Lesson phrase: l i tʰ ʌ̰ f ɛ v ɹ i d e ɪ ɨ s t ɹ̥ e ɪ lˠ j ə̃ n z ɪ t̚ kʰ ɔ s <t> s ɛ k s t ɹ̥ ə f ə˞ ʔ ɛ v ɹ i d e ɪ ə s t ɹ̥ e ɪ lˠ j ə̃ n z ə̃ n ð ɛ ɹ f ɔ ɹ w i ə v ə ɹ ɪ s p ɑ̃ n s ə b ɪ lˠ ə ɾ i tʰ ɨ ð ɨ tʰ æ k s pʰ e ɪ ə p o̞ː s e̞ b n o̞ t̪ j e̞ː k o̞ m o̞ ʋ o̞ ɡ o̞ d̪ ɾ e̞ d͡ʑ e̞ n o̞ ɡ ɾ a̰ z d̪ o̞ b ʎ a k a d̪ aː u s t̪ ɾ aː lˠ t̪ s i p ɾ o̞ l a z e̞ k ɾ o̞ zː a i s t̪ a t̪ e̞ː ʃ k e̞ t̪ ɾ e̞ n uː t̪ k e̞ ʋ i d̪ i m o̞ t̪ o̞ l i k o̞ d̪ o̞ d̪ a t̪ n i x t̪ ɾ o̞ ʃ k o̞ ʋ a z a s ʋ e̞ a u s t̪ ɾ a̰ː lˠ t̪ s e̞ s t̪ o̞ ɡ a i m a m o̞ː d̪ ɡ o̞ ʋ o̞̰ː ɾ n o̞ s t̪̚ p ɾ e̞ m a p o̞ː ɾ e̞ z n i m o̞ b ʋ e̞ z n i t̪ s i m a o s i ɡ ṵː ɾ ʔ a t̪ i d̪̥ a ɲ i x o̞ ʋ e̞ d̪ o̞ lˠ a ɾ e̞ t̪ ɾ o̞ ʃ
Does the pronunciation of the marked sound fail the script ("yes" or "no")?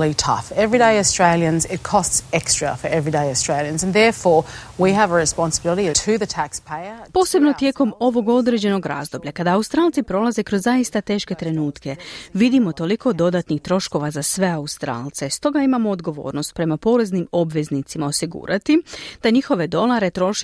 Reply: no